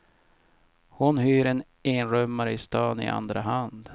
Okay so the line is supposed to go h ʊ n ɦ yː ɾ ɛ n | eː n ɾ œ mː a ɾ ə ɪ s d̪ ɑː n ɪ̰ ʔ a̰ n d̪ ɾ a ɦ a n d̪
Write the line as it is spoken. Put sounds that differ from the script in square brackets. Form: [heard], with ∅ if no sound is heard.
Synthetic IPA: h ʊ n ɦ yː ɾ ɛ n | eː n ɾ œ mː a ɾ ə ɪ s [t̪] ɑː n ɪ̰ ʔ a̰ n d̪ ɾ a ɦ a n d̪